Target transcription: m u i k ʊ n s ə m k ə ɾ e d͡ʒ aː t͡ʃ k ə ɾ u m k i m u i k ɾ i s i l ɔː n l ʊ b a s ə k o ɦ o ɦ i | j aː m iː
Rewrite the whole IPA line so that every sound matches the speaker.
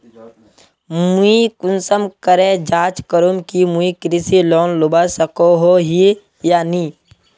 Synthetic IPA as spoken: m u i k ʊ n s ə m k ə ɾ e d͡ʒ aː t͡ʃ k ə ɾ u m k i m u i k ɾ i s i l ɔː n l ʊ b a s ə k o ɦ o ɦ i | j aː n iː